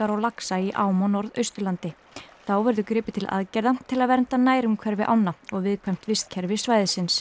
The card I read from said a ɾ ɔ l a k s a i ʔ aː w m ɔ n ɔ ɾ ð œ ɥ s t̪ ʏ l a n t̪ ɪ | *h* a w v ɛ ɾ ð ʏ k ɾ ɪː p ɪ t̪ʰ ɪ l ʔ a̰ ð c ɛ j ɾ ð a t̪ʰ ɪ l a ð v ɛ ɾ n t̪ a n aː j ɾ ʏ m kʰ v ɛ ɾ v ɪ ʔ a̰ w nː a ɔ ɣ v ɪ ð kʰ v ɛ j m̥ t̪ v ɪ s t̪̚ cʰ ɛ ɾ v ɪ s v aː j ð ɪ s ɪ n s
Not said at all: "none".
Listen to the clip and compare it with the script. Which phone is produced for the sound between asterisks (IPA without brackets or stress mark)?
θ